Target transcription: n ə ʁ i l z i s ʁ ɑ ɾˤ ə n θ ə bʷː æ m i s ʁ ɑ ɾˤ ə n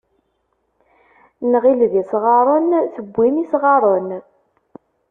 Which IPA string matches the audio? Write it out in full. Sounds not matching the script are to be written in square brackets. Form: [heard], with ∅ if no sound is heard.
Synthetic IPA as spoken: n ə ʁ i l [ð] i s ʁ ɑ ɾˤ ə n θ ə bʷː [i] m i s ʁ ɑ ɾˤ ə n

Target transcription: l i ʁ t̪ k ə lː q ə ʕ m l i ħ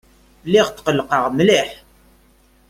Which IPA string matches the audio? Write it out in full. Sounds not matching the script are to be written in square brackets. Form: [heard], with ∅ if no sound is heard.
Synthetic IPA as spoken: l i ʁ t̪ [q] ə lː q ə [ʁ] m l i ħ

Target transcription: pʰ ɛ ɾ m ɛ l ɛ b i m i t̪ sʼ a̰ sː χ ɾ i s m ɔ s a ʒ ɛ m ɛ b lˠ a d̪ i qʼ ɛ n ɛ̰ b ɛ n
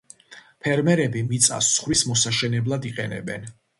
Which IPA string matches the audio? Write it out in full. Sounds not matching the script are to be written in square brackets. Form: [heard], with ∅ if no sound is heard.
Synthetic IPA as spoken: pʰ ɛ ɾ m ɛ [ɾ] ɛ b i m i t̪ sʼ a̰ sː χ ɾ i s m ɔ s a [ʃ] ɛ [n] ɛ b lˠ a d̪ i qʼ ɛ n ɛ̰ b ɛ n

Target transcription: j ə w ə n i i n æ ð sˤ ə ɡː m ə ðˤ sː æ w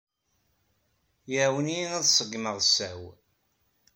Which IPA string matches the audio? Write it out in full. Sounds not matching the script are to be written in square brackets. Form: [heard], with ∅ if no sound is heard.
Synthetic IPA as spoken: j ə w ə n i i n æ ð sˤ ə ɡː m ə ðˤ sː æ w

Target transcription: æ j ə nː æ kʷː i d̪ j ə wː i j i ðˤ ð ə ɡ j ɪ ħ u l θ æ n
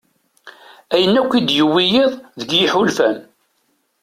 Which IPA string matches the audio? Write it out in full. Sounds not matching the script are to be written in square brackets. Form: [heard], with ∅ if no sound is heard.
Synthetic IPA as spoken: æ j ə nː æ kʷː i d̪ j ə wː i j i ðˤ ð ə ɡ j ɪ ħ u l [f] æ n

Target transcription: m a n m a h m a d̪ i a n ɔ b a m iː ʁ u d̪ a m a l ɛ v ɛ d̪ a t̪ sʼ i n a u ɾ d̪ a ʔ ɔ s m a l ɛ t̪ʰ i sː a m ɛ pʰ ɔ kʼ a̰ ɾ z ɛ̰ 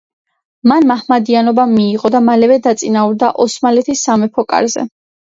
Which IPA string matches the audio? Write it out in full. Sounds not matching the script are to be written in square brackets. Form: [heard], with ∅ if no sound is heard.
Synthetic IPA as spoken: m a n m a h m a d̪ i a n ɔ b a m iː ʁ [ɔ] d̪ a m a l ɛ v ɛ d̪ a t̪ sʼ i n a u ɾ d̪ a ʔ ɔ s m a l ɛ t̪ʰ i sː a m ɛ pʰ ɔ kʼ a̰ ɾ z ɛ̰

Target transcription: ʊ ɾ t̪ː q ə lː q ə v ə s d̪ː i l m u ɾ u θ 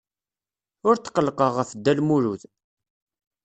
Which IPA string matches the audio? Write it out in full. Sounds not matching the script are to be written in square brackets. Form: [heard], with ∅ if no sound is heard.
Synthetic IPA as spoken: ʊ ɾ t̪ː q ə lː q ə [ʁ] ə [f] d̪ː [æ] l m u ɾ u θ

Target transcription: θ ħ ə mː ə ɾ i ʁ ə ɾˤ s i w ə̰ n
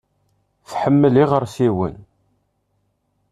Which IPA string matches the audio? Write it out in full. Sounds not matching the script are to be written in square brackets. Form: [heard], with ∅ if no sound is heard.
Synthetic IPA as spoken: θ ħ ə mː ə [l] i ʁ ə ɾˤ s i w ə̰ n

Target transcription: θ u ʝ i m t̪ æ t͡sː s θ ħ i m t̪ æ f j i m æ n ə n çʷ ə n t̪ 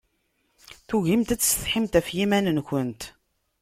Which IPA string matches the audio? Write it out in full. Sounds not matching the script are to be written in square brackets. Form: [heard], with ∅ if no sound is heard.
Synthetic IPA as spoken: θ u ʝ i m t̪ æ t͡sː s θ ħ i m t̪ æ f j i m æ n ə n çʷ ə n t̪

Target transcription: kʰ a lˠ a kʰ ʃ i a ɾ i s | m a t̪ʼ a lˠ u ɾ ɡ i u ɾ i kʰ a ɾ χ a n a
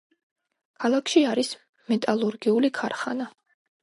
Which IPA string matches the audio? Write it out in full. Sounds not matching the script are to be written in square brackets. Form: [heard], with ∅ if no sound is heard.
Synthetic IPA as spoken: kʰ a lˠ a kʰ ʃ i a ɾ i s | m [ɛ] t̪ʼ a lˠ u ɾ ɡ i u [l] i kʰ a ɾ χ a n a

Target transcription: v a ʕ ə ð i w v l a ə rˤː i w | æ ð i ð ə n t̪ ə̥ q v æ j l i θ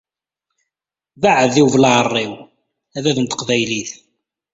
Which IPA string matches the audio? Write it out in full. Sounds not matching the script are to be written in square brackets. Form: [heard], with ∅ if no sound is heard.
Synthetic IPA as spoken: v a ʕ ə ð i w v l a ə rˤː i w | æ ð [æ] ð ə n t̪ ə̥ q v æ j l i θ

